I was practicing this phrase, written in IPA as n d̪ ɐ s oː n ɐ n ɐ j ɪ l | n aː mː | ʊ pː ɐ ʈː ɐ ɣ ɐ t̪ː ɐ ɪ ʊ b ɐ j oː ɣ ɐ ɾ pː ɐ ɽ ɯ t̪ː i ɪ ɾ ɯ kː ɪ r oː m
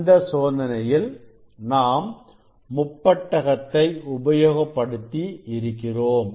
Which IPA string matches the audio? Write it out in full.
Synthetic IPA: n d̪ ɐ s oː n ɐ n ɐ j ɪ l | n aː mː | ʊ pː ɐ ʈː ɐ ɣ ɐ t̪ː ɐ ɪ ʊ b ɐ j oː ɣ ɐ pː ɐ ɽ ɯ t̪ː i ɪ ɾ ɯ kː ɪ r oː m